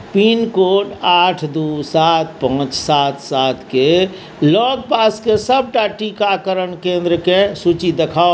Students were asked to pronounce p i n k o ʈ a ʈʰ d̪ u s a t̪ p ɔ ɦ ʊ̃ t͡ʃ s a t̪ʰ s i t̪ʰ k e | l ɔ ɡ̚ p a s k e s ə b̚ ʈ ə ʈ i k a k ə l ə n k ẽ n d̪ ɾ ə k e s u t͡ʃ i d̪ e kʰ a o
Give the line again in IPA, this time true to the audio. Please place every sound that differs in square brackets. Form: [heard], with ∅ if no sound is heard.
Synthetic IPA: p i n k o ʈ a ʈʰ d̪ u s a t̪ p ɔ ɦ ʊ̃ t͡ʃ s a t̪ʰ s [a] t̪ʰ k e | l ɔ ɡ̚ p a s k e s ə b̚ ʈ [a] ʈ i k a k ə [ɾ] ə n k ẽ n d̪ ɾ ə k e s u t͡ʃ i d̪ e kʰ a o